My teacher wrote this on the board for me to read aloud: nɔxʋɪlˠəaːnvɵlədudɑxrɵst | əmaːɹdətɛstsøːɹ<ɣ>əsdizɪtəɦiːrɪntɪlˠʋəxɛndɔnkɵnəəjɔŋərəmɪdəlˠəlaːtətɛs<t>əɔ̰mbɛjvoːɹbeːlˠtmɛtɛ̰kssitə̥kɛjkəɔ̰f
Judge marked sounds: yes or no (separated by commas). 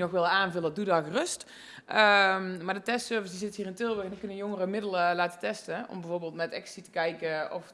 no, yes